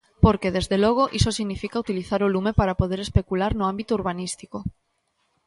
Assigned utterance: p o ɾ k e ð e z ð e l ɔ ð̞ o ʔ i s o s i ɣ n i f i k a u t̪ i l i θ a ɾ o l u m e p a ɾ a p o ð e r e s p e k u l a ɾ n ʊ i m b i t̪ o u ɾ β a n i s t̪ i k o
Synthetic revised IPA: p o ɾ k e ð e z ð e l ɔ ɣ̞ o ʔ i s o s i ɣ n i f i k a u t̪ i l i θ a ɾ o l u m e p a ɾ a p o ð e ɾ e s p e k u l a ɾ n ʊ a m b i t̪ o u ɾ β a n i s t̪ i k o